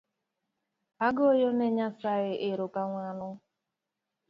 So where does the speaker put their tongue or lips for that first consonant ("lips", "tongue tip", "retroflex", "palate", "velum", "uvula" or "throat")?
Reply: velum